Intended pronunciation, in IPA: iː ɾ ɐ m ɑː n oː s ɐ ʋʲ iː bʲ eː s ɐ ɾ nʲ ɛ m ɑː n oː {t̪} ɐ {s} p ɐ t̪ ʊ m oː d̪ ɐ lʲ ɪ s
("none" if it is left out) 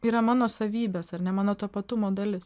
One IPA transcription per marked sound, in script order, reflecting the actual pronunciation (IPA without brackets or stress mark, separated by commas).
t̪, none